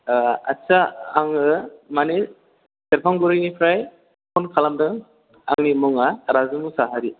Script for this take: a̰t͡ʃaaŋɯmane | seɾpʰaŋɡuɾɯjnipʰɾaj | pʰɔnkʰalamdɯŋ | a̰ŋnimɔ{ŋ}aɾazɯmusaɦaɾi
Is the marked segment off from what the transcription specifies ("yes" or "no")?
no